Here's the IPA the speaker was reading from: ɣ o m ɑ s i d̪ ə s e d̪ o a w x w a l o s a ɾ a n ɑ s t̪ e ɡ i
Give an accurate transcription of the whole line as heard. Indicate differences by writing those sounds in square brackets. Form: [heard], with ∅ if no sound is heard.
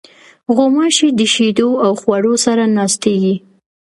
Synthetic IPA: ɣ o m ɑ [ʃ] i d̪ ə [ʃ] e d̪ o a w x w a [ɽ] o s a ɾ a n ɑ s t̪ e ɡ i